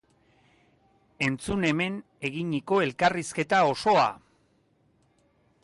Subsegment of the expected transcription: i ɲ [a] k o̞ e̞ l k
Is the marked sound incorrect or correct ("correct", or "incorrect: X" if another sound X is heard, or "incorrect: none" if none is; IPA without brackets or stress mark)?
incorrect: i